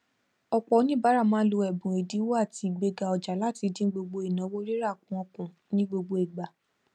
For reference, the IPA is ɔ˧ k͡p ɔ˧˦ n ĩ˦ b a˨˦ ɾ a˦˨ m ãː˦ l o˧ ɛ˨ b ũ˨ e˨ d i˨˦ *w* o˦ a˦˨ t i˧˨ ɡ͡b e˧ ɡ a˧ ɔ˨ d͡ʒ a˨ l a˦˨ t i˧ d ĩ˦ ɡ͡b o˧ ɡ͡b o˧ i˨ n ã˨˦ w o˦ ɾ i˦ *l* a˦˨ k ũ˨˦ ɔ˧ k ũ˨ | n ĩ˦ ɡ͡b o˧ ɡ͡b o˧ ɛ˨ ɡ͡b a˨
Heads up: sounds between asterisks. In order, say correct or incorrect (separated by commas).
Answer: correct, incorrect